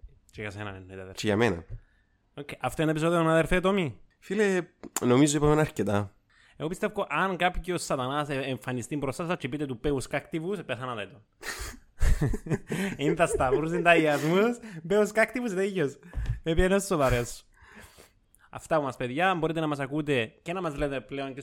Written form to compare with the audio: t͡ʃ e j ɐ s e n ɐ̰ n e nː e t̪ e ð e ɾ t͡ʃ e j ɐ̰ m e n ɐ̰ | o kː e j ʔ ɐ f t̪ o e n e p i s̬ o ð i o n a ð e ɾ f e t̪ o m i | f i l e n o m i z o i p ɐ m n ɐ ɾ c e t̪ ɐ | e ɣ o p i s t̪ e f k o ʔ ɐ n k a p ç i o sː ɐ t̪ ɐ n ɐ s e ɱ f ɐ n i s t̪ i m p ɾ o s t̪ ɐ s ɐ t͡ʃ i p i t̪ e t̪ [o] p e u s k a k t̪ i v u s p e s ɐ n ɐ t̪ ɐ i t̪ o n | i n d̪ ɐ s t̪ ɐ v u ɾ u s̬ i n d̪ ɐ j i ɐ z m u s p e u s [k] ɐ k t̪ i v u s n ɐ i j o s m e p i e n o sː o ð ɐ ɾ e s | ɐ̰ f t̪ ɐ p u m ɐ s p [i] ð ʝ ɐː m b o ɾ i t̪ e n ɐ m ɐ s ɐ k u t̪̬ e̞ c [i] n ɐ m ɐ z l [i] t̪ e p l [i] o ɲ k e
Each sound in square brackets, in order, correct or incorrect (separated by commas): incorrect, correct, incorrect, incorrect, incorrect, incorrect